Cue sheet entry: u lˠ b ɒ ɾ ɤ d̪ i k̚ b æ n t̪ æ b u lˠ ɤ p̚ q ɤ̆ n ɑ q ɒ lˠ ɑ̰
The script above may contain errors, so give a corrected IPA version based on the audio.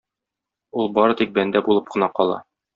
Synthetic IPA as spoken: u lˠ b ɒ ɾ ɤ t̪ i k̚ b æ n d̪ æ b u lˠ ɤ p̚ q ɤ̆ n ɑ q ɒ lˠ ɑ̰